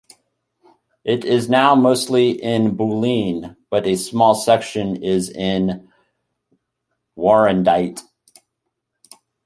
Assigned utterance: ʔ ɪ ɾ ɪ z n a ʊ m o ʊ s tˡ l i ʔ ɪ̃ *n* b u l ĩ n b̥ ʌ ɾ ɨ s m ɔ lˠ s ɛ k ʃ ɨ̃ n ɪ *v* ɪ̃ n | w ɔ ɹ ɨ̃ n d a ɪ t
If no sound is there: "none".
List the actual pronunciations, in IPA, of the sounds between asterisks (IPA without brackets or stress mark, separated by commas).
n, z